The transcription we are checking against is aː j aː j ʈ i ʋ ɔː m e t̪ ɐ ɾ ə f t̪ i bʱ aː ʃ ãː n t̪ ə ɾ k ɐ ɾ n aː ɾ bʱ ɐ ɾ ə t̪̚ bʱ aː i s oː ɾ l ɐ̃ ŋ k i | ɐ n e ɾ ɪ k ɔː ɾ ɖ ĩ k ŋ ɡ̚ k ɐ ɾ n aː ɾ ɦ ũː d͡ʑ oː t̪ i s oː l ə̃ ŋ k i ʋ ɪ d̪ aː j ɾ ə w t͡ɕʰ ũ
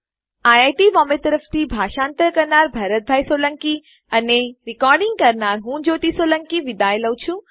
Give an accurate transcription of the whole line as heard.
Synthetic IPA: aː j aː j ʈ i ʋ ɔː m e t̪ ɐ ɾ ə f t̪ i bʱ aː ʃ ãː n t̪ ə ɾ k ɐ ɾ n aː ɾ bʱ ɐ ɾ ə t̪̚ bʱ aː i s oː l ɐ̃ ŋ k i | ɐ n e ɾ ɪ k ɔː ɾ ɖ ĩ ŋ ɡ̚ k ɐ ɾ n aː ɾ ɦ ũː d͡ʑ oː t̪ i s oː l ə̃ ŋ k i ʋ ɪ d̪ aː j l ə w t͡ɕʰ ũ